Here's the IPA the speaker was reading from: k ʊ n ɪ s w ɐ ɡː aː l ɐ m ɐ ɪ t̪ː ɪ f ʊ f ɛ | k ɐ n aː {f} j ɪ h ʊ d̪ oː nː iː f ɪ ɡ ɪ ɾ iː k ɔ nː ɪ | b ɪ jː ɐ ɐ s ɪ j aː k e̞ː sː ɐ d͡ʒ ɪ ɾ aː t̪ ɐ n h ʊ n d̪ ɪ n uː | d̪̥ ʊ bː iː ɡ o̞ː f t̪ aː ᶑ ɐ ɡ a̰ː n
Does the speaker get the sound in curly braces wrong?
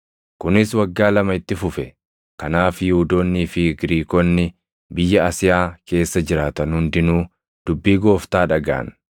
no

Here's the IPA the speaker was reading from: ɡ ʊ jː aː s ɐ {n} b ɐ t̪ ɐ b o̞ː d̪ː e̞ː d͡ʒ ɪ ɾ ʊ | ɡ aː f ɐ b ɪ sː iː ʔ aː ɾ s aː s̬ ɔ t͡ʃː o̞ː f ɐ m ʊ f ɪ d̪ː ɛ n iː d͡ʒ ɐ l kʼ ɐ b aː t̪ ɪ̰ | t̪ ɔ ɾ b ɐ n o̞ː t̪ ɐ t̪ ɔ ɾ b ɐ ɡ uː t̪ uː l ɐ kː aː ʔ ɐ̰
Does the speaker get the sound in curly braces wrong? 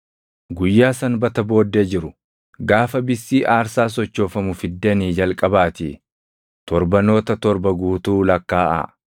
no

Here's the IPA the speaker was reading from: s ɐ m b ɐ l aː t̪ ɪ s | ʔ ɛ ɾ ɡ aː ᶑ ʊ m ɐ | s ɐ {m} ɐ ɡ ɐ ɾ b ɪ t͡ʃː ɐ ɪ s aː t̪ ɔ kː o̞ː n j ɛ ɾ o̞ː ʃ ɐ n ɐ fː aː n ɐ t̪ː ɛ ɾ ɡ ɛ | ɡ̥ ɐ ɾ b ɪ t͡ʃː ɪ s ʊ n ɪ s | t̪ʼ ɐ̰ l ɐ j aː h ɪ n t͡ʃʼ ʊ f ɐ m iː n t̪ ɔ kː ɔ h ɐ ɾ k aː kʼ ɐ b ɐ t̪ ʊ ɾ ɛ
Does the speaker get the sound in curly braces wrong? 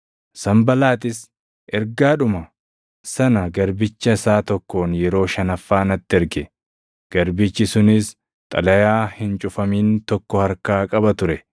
yes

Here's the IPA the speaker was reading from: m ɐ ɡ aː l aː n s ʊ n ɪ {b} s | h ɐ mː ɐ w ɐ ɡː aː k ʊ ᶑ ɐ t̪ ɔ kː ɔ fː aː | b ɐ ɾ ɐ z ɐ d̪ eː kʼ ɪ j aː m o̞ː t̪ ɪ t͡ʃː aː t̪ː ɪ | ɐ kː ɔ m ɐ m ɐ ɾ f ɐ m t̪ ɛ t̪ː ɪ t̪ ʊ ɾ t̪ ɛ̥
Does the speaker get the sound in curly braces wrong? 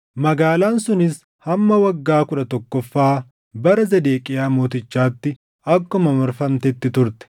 yes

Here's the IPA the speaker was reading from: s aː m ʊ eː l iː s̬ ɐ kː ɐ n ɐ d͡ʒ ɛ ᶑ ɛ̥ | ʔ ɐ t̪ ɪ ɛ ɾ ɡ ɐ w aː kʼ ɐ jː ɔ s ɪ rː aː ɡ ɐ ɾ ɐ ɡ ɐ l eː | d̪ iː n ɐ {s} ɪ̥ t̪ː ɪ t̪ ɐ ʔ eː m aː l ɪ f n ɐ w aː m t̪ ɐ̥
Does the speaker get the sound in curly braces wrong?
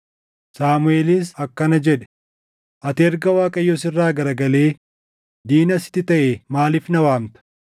no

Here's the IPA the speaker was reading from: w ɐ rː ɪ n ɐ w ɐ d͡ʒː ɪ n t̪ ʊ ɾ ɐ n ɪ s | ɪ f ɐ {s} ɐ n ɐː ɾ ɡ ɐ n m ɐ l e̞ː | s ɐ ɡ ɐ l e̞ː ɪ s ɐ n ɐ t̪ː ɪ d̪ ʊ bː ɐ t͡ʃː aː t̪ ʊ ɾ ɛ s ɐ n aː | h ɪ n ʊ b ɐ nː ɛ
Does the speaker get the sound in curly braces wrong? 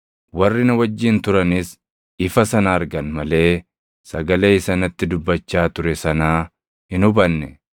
no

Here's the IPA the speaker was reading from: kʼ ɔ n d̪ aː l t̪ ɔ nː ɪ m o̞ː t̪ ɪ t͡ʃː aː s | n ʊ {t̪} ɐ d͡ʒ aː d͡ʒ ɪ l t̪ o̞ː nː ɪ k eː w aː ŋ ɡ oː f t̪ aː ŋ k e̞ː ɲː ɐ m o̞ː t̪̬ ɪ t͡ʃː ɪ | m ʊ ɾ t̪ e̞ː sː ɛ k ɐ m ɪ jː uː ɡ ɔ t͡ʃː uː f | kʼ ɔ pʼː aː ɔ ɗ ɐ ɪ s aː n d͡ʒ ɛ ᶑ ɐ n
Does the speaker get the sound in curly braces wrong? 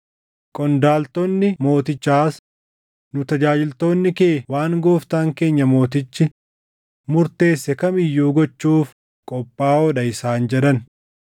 no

